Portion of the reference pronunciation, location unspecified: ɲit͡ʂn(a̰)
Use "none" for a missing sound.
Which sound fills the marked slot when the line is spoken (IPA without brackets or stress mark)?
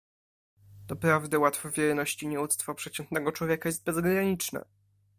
ɛ̰